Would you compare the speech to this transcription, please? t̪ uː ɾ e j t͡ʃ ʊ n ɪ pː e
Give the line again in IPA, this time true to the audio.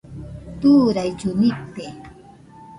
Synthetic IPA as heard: t̪ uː ɾ a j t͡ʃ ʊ n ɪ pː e